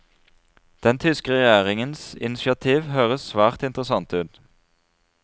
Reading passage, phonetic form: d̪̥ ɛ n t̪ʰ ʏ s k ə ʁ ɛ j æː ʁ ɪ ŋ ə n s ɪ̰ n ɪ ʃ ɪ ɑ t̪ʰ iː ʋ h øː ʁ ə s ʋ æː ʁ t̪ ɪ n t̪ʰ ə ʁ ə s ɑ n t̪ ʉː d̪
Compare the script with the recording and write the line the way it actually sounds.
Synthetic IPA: d̪̥ ɛ n t̪ʰ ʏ s k ə ʁ ɛ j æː ʁ ɪ ŋ ə n s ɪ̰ n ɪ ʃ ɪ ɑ t̪ʰ iː ʋ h øː ʁ ə s ʋ æː ʁ t̪ ɪ n t̪ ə ʁ ə s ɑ n t̪ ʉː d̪